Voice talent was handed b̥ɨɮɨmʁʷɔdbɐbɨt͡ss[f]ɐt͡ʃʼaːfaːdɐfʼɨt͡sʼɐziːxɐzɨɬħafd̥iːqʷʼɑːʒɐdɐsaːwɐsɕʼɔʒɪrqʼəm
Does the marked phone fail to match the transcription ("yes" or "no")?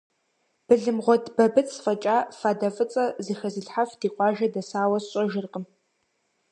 no